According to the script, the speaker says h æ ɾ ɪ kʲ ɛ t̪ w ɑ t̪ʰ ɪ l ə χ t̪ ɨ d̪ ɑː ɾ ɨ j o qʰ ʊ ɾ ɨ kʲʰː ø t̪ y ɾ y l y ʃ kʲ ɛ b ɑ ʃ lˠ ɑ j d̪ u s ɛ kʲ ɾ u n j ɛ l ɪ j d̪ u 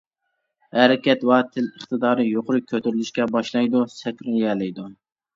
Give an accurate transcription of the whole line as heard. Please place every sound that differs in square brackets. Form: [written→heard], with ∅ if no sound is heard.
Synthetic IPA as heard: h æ ɾ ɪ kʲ ɛ t̪ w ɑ t̪ʰ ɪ l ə χ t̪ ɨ d̪ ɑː ɾ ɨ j o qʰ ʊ ɾ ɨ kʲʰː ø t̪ y ɾ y l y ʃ kʲ ɛ b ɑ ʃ lˠ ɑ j d̪ u s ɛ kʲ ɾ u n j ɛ l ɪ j d̪ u

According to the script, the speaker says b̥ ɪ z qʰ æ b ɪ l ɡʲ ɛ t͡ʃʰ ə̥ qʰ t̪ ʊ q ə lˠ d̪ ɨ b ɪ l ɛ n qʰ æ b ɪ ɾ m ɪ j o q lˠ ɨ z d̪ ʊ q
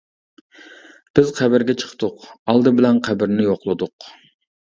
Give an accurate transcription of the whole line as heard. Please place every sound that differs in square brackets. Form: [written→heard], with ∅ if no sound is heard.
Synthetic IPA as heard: b̥ ɪ z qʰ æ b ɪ [l→ɾ] ɡʲ ɛ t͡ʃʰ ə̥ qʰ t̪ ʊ q [ə→ɑ] lˠ d̪ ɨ b ɪ l ɛ n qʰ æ b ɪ ɾ [m→n] ɪ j o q lˠ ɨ [z→∅] d̪ ʊ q

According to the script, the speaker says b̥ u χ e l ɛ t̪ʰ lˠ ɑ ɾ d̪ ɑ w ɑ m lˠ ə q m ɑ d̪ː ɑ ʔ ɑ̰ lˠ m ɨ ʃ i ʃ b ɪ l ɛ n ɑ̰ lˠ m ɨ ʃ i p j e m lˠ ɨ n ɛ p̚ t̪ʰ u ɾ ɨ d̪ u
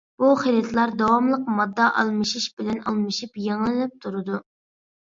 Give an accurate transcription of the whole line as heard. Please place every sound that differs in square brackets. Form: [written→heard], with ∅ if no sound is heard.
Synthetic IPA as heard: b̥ u χ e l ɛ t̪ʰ lˠ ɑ ɾ d̪ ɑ w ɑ m lˠ ə q m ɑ d̪ː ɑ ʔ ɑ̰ lˠ m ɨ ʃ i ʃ b ɪ l ɛ n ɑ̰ lˠ m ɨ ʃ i p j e [m→ŋ] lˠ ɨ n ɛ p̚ t̪ʰ u ɾ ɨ d̪ u

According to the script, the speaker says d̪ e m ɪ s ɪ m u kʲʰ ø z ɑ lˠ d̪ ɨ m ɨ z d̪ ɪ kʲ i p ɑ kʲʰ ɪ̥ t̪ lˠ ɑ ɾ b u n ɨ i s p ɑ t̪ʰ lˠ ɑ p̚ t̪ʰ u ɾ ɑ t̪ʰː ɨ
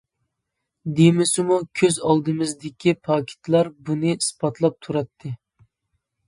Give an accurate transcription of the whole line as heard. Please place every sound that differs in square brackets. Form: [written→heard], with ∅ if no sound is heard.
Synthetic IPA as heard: d̪ e m ɪ s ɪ m u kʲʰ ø z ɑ lˠ d̪ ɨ m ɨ z d̪ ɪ kʲ i [p→pʰ] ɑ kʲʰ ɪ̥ t̪ lˠ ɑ ɾ b u n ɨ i s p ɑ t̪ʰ lˠ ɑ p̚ t̪ʰ u ɾ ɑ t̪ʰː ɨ

